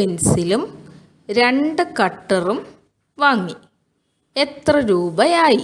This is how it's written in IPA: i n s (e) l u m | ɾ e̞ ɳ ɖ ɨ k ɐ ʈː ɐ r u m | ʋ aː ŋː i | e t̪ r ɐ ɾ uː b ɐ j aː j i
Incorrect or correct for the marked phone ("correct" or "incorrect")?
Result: incorrect